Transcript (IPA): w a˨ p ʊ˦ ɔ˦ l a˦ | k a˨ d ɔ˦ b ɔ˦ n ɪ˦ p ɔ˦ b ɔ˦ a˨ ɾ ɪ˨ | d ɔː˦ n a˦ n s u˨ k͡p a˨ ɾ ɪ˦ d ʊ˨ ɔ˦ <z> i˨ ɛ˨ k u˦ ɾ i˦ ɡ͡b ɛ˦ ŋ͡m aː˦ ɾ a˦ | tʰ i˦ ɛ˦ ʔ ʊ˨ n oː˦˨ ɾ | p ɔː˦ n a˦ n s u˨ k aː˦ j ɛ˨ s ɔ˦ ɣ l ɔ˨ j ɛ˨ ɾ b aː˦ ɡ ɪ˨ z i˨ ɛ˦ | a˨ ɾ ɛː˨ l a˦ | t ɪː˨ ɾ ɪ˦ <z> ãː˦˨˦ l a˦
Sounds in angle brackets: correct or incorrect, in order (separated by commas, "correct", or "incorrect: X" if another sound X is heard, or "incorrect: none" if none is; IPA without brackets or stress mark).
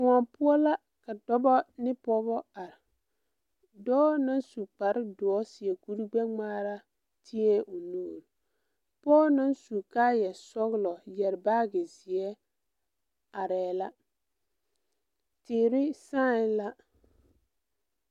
incorrect: s, incorrect: s